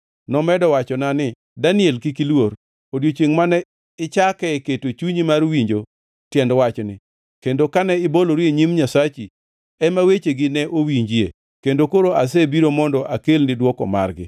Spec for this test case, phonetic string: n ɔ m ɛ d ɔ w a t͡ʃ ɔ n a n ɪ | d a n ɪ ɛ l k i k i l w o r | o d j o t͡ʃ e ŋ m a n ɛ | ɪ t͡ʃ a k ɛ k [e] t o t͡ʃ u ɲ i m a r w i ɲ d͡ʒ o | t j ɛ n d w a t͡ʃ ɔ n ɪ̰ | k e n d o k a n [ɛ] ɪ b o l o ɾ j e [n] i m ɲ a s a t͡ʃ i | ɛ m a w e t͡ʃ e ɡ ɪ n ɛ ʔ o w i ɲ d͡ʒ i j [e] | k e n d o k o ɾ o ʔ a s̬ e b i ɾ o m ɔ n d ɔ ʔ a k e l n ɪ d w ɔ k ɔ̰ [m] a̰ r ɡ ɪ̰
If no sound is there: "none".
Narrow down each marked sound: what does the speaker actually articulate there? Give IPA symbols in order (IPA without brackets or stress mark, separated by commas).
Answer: e, ɛ, ɲ, e, m